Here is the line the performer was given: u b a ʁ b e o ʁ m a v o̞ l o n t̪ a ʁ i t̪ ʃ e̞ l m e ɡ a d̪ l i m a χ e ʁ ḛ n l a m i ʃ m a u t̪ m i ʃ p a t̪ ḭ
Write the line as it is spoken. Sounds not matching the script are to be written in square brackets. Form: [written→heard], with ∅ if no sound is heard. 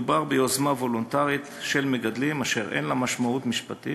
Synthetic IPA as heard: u b a ʁ b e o [ʁ→z] m a v o̞ l o n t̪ a ʁ i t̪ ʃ e̞ l m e ɡ a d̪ l i m a [χ→ʃ] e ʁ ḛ n l a m [i→a] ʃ m a u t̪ m i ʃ p a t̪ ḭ